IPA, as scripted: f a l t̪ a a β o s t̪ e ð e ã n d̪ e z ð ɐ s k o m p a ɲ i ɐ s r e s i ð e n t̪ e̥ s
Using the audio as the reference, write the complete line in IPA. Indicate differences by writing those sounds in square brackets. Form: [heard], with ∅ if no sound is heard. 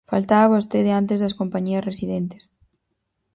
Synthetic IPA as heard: f a l t̪ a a β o s t̪ e ð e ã n [t̪] e z ð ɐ s k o m p a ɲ i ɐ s r e s i ð e n t̪ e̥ s